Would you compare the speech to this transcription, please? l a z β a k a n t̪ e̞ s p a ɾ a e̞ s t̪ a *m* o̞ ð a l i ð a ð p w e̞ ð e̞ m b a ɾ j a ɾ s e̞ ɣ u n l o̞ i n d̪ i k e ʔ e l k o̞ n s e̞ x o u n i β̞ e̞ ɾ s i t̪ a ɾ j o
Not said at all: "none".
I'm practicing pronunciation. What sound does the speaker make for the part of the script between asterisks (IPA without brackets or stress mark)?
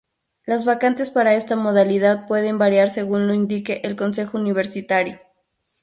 m